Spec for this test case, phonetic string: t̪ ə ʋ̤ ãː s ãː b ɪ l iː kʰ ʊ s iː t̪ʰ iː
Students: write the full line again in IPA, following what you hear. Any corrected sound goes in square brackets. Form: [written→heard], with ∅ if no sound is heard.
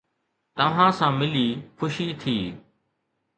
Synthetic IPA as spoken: t̪ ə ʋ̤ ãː s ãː [b→m] ɪ l iː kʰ ʊ [s→ʃ] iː t̪ʰ iː